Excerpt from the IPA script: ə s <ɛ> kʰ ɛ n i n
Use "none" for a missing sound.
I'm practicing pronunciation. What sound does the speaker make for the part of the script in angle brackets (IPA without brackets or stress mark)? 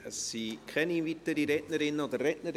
i